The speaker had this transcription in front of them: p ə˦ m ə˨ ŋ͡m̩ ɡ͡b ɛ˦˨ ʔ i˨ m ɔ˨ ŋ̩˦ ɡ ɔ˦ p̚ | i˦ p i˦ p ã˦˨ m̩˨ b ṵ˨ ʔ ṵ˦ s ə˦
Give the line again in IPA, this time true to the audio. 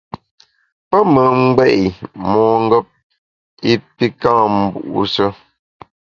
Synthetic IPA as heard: p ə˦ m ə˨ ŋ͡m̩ ɡ͡b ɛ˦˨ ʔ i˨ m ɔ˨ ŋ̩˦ ɡ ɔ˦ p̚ | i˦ p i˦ k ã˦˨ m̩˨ b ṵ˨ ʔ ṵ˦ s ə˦